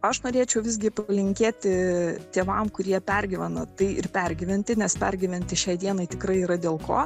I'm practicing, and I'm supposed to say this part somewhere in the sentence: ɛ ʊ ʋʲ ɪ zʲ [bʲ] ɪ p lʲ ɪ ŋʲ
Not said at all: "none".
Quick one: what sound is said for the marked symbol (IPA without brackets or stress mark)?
ɡʲ